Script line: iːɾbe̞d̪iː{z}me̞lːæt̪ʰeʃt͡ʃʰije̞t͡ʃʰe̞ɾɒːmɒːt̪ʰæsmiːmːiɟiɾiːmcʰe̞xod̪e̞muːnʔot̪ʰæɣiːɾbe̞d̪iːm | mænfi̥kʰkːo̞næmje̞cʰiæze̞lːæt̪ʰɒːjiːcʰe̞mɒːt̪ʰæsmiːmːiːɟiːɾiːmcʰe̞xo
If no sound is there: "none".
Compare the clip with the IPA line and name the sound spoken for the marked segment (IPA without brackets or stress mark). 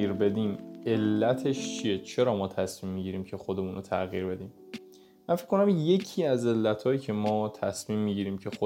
none